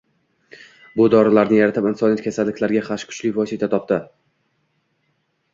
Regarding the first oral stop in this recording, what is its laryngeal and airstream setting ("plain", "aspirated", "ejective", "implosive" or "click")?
plain